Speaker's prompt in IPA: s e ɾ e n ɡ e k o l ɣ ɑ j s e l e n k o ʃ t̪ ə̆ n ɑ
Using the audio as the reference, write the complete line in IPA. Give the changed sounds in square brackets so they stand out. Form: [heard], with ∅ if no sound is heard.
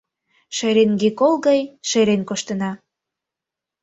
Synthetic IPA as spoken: [ʃ] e ɾ e n ɡ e k o l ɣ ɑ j [ʃ] e [ɾ] e n k o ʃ t̪ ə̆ n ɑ